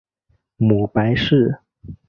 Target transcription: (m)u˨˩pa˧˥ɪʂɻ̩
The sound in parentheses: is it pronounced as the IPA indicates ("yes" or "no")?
yes